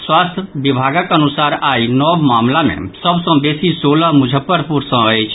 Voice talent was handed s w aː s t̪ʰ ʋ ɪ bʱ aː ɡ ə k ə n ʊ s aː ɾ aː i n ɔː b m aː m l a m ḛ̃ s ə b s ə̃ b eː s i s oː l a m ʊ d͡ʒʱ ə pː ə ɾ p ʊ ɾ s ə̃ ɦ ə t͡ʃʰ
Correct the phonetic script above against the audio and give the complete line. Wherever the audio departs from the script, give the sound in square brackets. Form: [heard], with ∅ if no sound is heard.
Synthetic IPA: s w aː s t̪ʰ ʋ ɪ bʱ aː ɡ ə k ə n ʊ s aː ɾ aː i n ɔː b m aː m l a m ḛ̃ s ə b s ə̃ b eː s i s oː l a m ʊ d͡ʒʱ ə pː ə ɾ p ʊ ɾ s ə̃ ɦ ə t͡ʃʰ